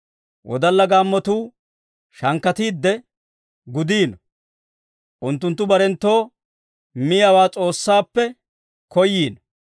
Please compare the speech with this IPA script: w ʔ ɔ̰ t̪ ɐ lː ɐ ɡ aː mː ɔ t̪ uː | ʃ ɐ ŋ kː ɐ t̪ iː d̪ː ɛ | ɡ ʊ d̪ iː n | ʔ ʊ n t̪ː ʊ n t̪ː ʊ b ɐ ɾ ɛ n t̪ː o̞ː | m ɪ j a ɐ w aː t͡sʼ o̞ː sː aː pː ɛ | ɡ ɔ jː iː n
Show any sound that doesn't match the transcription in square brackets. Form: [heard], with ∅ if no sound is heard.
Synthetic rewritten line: w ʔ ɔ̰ [d̪] ɐ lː ɐ ɡ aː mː ɔ t̪ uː | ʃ ɐ ŋ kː ɐ t̪ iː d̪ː ɛ | ɡ ʊ d̪ iː n | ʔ ʊ n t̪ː ʊ n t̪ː ʊ b ɐ ɾ ɛ n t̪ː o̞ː | m ɪ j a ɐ w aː t͡sʼ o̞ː sː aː pː ɛ | [k] ɔ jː iː n